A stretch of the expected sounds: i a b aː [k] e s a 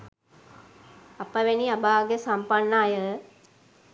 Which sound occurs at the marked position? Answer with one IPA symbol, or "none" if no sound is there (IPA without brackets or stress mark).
ɡ